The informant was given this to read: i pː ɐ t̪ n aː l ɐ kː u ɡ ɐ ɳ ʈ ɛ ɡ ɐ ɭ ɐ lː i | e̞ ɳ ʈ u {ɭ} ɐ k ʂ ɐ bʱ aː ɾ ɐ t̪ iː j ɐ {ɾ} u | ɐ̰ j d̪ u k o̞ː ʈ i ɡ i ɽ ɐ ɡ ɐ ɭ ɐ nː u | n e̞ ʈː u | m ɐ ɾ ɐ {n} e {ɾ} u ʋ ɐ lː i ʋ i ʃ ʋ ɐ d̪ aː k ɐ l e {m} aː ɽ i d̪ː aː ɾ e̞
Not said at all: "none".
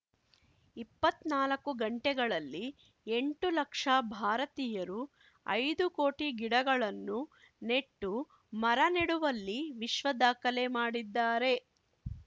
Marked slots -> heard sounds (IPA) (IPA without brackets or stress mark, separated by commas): l, ɾ, n, ɽ, m